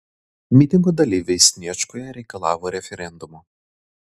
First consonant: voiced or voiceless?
voiced